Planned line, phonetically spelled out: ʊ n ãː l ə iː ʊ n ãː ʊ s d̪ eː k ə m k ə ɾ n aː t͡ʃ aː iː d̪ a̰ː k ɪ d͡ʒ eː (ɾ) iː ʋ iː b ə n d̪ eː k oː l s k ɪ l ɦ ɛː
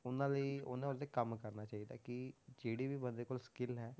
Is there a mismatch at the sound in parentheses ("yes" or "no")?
yes